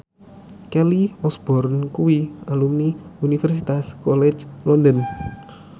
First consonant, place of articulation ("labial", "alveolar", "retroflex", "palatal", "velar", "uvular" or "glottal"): velar